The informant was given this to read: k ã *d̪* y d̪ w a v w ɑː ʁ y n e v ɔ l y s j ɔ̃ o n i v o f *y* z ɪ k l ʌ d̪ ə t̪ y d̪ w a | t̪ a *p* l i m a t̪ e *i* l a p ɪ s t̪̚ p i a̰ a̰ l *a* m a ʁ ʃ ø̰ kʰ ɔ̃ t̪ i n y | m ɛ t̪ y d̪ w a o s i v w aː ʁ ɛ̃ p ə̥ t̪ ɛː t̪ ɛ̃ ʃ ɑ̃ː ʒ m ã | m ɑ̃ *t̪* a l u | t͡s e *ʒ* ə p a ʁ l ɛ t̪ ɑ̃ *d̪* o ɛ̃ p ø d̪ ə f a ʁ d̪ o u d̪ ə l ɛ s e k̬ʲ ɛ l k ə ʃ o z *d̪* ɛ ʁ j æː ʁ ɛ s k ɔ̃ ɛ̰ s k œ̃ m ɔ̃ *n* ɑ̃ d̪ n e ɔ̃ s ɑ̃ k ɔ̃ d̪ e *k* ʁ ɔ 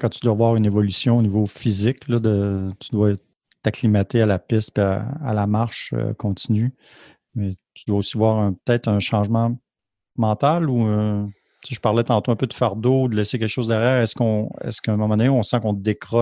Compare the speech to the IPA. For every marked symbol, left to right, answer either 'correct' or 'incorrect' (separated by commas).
incorrect, incorrect, incorrect, incorrect, correct, correct, correct, incorrect, correct, incorrect, correct